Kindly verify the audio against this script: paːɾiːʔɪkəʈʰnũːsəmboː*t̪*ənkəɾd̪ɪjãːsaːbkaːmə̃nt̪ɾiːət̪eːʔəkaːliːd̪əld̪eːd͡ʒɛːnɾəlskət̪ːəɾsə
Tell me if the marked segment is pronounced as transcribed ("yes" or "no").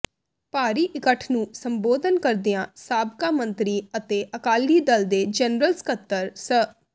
no